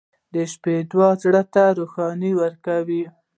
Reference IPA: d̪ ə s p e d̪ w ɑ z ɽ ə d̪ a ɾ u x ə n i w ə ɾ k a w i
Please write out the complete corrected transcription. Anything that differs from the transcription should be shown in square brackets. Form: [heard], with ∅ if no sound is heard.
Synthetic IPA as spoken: d̪ ə [ʃ] p e d̪ w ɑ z ɽ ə [t̪] a ɾ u x [ɑ] n i w ə ɾ k a w i